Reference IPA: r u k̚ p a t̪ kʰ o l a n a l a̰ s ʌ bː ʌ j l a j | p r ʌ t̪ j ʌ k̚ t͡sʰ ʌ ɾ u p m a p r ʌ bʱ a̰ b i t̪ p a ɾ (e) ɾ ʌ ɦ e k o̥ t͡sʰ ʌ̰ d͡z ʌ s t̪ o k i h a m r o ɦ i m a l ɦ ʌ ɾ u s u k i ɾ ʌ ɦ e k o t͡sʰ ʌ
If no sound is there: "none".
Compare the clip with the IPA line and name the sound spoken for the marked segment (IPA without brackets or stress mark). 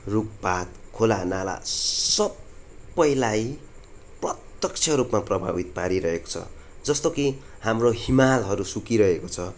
i